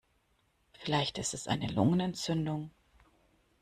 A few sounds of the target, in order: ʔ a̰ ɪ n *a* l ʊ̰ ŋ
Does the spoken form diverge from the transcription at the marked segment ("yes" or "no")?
yes